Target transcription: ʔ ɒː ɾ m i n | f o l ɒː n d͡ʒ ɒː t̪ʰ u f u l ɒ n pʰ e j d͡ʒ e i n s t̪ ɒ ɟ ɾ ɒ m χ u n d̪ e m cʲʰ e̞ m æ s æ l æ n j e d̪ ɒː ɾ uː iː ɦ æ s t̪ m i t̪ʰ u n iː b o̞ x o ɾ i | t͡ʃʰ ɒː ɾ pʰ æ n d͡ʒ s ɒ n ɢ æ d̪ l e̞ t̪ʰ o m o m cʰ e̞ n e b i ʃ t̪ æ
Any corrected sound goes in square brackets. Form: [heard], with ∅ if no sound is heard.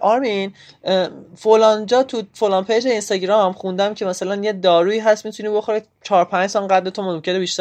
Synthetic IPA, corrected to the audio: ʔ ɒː ɾ m i n | f o l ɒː n d͡ʒ ɒː t̪ʰ u f [o] l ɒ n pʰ e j d͡ʒ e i n s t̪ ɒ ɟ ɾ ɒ m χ u n d̪ [æ] m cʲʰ e̞ m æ s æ l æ n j e d̪ ɒː ɾ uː iː ɦ æ s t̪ m i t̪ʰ u n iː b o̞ x o ɾ i | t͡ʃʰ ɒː ɾ pʰ æ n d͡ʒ s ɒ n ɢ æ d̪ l e̞ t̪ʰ o m o m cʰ e̞ n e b i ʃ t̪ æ